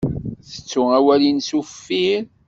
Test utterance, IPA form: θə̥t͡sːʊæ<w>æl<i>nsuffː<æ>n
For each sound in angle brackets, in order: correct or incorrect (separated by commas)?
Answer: correct, correct, incorrect